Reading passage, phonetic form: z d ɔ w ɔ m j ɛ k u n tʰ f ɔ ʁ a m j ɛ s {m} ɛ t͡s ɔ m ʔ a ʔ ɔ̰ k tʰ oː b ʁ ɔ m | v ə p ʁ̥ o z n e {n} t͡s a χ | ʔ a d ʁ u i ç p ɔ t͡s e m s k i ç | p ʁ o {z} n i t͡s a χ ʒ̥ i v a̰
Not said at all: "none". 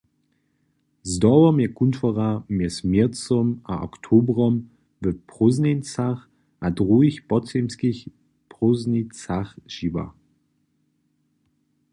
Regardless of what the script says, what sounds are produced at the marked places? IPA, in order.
m, n, z

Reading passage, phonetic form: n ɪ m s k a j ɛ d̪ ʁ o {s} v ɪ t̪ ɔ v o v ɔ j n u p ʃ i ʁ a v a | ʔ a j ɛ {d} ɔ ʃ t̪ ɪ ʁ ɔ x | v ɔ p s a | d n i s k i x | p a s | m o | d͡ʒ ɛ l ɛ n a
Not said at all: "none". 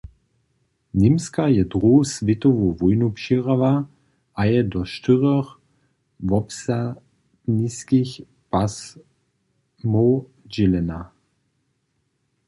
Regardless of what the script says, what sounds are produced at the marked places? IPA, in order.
s, d

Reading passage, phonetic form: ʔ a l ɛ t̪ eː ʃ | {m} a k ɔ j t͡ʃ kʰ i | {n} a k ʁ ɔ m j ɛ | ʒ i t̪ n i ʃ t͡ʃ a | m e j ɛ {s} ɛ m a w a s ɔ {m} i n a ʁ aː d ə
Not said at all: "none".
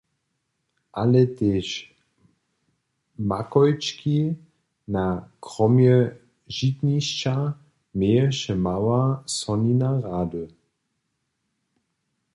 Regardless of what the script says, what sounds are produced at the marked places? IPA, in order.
m, n, ʃ, n

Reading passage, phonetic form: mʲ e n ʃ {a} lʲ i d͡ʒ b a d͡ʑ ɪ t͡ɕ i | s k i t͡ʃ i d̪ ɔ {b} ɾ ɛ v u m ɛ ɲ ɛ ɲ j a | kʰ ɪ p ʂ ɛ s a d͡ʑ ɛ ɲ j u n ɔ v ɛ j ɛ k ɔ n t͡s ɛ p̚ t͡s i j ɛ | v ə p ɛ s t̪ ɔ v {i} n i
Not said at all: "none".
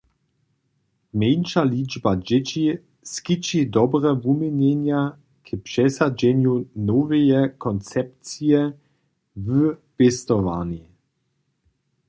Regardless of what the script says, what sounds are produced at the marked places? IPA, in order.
a, b, a

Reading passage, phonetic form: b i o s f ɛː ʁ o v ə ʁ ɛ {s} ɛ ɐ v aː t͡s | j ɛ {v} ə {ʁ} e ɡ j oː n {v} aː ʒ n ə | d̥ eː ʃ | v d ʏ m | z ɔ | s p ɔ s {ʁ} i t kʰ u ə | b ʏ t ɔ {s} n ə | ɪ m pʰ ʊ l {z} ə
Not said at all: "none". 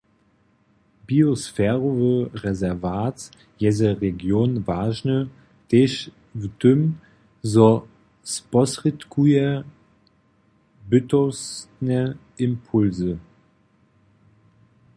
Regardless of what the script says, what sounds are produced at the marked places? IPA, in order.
z, z, ʁ, v, ʁ, s, z

